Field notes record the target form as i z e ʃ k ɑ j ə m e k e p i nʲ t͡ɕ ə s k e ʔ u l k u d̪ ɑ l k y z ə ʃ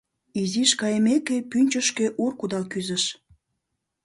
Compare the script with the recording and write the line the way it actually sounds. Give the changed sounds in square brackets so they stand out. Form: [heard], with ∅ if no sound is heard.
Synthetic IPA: i z [i] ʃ k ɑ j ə m e k e p [y] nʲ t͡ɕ ə [ʃ] k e ʔ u [r] k u d̪ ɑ l k y z ə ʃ